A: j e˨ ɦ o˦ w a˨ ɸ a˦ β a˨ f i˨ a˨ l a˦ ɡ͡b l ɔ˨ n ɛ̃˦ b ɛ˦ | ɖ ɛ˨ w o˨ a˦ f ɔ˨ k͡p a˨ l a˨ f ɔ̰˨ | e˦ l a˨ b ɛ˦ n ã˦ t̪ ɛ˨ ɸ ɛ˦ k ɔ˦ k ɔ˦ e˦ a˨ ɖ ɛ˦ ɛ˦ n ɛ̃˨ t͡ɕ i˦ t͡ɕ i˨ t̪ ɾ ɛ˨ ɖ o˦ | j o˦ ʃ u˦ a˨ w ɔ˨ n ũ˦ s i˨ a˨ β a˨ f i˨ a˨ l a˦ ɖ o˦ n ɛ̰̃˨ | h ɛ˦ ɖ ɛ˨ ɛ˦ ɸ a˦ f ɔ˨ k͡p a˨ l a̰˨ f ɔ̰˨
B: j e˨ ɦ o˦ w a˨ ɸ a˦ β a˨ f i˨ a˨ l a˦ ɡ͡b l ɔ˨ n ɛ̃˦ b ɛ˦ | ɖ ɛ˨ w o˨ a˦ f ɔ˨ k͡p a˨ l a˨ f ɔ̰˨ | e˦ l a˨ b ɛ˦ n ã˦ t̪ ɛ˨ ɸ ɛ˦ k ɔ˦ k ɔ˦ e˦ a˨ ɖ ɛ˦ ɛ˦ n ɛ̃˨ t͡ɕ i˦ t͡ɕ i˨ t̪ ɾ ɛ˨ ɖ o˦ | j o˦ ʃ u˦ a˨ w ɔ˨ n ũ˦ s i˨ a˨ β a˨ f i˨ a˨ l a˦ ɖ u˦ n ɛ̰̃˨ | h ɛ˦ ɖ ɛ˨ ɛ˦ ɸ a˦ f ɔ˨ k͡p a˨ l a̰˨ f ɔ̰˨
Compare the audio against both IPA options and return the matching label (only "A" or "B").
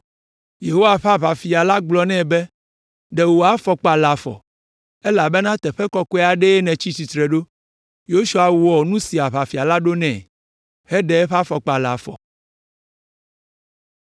A